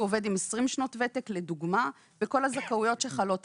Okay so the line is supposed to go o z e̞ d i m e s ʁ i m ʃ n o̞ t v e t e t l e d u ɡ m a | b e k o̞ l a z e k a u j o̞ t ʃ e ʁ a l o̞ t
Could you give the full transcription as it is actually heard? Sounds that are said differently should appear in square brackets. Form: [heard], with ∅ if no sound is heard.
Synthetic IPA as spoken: o [v] e̞ d i m e s ʁ i m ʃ n o̞ t v e t e [k] l e d u ɡ m a | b e k o̞ l a z [a] k a u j o̞ t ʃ e [χ] a l o̞ t